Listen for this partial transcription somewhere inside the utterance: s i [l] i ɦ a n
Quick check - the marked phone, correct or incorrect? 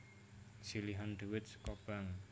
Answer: correct